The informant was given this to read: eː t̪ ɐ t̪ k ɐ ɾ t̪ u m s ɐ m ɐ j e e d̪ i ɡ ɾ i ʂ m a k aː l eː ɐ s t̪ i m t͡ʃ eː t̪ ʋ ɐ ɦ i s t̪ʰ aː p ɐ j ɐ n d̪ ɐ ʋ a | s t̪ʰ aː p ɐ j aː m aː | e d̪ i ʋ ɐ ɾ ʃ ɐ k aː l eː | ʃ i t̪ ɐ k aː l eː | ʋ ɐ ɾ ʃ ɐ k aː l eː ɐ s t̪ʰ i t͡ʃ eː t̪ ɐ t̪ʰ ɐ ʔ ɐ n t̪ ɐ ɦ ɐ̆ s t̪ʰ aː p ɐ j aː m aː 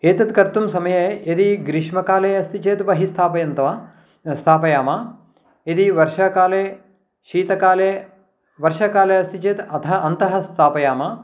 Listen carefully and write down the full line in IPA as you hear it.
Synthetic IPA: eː t̪ ɐ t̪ k ɐ ɾ t̪ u m s ɐ m ɐ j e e d̪ i ɡ ɾ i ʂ m ɐ k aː l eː ɐ s t̪ i t͡ʃ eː t̪ ʋ ɐ ɦ i s t̪ʰ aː p ɐ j ɐ n t̪ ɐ ʋ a | s t̪ʰ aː p ɐ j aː m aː | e d̪ i ʋ ɐ ɾ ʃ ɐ k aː l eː | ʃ iː t̪ ɐ k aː l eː | ʋ ɐ ɾ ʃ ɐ k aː l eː ɐ s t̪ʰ i t͡ʃ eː t̪ ɐ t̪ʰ ɐ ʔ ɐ n t̪ ɐ ɦ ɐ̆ s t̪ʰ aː p ɐ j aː m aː